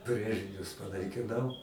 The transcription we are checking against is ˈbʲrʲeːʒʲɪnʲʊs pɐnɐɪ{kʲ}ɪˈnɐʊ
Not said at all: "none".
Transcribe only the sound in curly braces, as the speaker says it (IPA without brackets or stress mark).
kʲ